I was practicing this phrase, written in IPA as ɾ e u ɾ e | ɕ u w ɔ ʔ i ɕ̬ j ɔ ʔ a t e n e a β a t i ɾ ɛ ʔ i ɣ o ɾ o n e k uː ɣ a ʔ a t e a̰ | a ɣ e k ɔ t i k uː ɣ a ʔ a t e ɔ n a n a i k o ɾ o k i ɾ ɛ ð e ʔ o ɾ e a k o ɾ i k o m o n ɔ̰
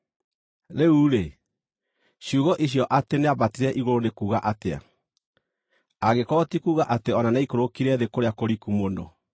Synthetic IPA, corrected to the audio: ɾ e u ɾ e | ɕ u ɣ ɔ ʔ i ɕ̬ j ɔ ʔ a t e n e a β a t i ɾ ɛ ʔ i ɣ o ɾ o n e k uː ɣ a ʔ a t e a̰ | a ɣ e k ɔ t i k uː ɣ a ʔ a t e ɔ n a n a i k o ɾ o k i ɾ ɛ ð e k o ɾ e a k o ɾ i k u m o n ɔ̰

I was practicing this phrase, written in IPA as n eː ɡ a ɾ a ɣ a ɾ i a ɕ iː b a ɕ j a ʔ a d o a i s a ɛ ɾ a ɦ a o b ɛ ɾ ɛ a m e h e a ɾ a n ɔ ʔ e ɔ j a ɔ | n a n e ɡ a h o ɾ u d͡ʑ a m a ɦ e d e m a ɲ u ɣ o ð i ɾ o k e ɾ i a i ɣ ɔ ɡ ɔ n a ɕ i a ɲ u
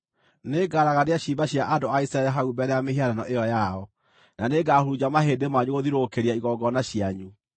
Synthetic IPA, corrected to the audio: n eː ɡ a ɾ a ɣ a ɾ e a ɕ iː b a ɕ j a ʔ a d o a i s a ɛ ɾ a ɦ a u b ɛ ɾ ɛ a m e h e a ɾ a n ɔ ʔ e ɔ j a ɔ | n a n e ɡ a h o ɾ u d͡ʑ a m a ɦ e d e m a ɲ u ɣ o ð i ɾ o k e ɾ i a i ɣ ɔ ɡ ɔ n a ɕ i a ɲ u

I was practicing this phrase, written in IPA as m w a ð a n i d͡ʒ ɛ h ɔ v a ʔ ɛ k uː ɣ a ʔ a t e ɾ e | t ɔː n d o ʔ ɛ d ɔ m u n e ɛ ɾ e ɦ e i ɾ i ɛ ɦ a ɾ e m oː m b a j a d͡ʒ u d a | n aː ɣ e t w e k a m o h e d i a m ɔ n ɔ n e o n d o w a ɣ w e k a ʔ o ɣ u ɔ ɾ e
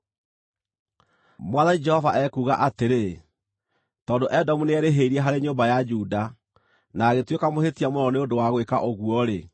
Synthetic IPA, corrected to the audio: m w a ð a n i d͡ʒ ɛ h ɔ v a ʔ ɛ k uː ɣ a ʔ a t e ɾ e | t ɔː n d o ʔ ɛ d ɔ m u n e ɛ ɾ e ɦ e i ɾ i ɛ ɦ a ɾ e ɲ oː m b a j a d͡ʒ u d a | n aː ɣ e t w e k a m o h e t i a m o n ɔ n e o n d o w a ɣ w e k a ʔ o ɣ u ɔ ɾ e

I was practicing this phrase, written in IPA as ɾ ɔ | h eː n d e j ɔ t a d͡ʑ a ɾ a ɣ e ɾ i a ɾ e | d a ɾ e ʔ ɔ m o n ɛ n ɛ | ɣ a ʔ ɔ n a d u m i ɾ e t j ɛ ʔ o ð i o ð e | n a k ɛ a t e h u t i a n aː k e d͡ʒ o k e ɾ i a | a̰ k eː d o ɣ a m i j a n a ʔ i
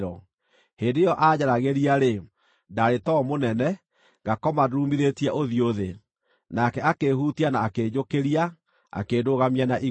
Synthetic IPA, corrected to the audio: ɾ ɔ | h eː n d e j ɔ ʔ a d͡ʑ a ɾ a ɣ e ɾ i a ɾ e | d a ɾ e t ɔ m o n ɛ n ɛ | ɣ a k ɔ m a d u m i ɾ e t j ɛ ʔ o ð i o ð e | n a k ɛ a k e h u t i a n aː k e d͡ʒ o k e ɾ i a | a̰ k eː d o ɣ a m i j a n a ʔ i

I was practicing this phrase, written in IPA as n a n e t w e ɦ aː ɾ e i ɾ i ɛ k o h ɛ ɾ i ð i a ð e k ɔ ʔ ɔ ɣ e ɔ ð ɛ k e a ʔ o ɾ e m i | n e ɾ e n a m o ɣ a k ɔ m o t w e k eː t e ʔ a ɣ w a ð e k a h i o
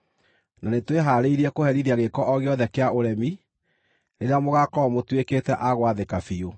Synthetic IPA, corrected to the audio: n a n e t w e ɦ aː ɾ e i ɾ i ɛ k o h ɛ ɾ i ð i a ɣ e k ɔ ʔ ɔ ɣ e ɔ ð ɛ k e a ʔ o ɾ ɛ m i | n e ɾ e a m o ɣ a k ɔ m o t w e k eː t ɛ ʔ a ɣ w a ð e k a f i o

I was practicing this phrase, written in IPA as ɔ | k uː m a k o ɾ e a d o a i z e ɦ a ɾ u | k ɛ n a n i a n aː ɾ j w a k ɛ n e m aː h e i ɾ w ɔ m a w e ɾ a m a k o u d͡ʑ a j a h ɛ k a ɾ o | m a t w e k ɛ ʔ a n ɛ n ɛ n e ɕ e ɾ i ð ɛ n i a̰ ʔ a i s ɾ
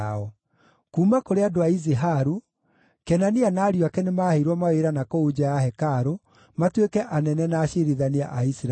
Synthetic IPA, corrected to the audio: ɔ | k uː m a k o ɾ e a d o a i z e ɦ a ɾ u | k ɛ n a n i a n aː ɾ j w a k ɛ n e m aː h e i ɾ w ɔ m a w e ɾ a n a k o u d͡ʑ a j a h ɛ k a ɾ o | m a t w e k ɛ ʔ a n ɛ n ɛ n a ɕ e ɾ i ð a n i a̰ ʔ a i s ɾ

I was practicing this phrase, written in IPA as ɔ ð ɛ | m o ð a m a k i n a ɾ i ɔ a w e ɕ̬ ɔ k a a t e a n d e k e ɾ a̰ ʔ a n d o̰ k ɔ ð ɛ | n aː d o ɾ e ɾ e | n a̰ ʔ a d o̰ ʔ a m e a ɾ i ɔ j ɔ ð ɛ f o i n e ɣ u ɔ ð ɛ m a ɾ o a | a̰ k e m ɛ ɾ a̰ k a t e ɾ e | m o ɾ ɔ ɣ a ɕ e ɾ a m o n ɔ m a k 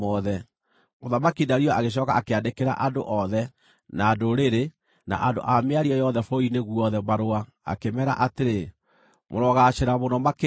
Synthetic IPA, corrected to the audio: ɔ ð ɛ | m o ð a m a k i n a ɾ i ɔ a ɣ e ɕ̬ ɔ k a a k e a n d e k e ɾ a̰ ʔ a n d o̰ ʔ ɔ ð ɛ | n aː d o ɾ e ɾ e | n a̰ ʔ a d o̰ ʔ a m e a ɾ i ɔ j ɔ ð ɛ f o i n e ɣ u ɔ ð ɛ m a ɾ o a | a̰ k e m ɛ ɾ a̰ ʔ a t e ɾ e | m o ɾ ɔ ɣ a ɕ e ɾ a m o n ɔ m a k

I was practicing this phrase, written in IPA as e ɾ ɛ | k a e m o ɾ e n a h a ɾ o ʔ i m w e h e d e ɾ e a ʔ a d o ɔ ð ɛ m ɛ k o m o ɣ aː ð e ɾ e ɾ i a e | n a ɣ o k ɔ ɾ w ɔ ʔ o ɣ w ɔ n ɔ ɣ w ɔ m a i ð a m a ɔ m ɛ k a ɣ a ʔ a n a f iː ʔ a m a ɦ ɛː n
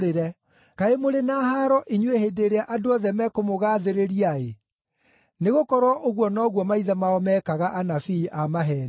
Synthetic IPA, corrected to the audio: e ɾ ɛ | k a e m o ɾ e n a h a ɾ ɔ ʔ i ɲ w e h e d e ɾ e a ʔ a d o ɔ ð ɛ m ɛ k o m o ɣ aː ð e ɾ e ɾ i a e | n e ɣ o k ɔ ɾ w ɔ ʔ o ɣ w ɔ n ɔ ɣ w ɔ m a i ð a m a ɔ m ɛ k a ɣ a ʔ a n a f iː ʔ a m a ɦ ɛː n

